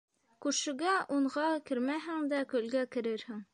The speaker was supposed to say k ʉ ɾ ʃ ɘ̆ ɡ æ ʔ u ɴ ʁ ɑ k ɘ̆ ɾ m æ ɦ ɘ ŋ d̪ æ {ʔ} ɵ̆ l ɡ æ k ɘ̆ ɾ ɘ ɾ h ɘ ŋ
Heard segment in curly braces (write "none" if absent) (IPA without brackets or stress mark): k